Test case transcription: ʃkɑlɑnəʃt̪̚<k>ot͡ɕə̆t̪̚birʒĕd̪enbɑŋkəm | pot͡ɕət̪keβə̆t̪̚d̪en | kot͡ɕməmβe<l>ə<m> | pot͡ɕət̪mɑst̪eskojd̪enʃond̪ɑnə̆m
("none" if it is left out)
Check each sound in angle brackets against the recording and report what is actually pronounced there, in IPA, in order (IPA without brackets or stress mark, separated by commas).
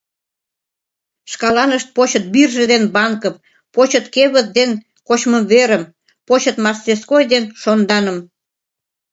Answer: p, ɾ, m